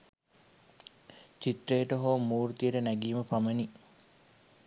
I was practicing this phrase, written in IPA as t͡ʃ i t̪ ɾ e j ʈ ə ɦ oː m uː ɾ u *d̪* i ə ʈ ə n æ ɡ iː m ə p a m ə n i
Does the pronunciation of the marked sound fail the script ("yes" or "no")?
yes